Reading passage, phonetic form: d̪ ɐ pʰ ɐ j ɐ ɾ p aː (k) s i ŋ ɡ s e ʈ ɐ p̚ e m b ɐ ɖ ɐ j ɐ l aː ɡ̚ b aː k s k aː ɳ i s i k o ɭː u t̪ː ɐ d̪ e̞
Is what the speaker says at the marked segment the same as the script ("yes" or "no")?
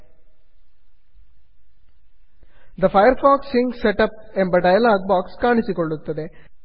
yes